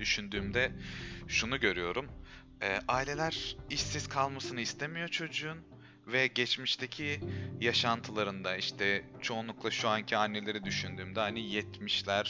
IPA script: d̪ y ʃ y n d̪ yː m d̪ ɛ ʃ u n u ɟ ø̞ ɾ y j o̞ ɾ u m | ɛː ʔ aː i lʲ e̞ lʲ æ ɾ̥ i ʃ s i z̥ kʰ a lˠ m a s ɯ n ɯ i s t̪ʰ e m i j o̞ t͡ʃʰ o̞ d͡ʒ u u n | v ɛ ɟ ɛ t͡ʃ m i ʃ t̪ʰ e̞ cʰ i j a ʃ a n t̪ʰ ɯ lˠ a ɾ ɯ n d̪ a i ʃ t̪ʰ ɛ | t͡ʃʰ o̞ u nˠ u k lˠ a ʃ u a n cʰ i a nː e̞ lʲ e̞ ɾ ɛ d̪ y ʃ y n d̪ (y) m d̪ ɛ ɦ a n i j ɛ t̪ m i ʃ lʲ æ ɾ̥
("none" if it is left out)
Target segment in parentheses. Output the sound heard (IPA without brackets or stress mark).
yː